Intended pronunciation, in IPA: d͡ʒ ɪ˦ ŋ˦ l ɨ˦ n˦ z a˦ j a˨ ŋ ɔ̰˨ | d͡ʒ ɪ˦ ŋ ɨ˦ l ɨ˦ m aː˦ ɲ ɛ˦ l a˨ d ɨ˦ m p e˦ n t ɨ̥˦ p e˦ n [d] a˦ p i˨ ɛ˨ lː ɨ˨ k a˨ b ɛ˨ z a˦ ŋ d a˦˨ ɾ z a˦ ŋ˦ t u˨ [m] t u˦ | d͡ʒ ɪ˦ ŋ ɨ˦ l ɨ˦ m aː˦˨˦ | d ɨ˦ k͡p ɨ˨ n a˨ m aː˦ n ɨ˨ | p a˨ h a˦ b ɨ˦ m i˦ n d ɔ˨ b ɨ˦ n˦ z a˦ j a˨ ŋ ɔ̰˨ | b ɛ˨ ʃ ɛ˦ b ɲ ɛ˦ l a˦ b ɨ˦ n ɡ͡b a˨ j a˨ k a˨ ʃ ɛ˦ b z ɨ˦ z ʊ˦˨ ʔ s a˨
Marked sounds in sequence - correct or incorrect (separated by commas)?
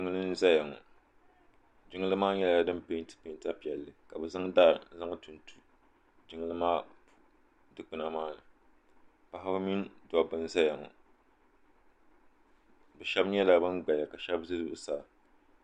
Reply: incorrect, incorrect